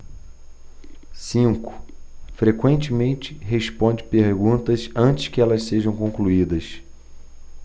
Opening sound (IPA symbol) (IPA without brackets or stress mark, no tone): s